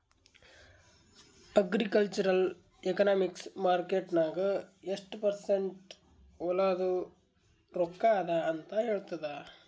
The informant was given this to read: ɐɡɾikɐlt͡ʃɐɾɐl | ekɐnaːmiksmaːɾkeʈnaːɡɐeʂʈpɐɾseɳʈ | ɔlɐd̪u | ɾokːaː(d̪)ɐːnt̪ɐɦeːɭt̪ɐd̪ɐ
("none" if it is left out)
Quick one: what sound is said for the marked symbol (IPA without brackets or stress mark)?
d̪